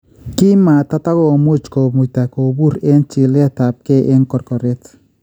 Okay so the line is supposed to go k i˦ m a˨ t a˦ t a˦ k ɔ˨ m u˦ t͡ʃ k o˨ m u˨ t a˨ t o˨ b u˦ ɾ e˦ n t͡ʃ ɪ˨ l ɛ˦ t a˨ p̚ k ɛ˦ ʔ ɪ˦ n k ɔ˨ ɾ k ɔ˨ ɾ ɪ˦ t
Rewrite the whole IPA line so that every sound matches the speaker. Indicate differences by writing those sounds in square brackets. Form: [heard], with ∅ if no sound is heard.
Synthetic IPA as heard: k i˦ m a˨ t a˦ t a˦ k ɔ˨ m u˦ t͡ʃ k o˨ m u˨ t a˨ [k] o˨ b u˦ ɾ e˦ n t͡ʃ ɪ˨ l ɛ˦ t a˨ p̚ k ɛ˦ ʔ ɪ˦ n k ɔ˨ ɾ k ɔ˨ ɾ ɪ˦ t